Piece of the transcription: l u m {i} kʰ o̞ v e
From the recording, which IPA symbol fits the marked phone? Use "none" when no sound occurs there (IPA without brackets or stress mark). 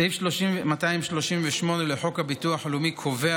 i